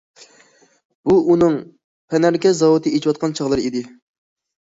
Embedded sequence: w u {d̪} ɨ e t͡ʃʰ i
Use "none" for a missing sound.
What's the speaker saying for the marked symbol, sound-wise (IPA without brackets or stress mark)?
t̪